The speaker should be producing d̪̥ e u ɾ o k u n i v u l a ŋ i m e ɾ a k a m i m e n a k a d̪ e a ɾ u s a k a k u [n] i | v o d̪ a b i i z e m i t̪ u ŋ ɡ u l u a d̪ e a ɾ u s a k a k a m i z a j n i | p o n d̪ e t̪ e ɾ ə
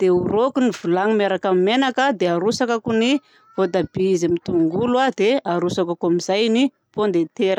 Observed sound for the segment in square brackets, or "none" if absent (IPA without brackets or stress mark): n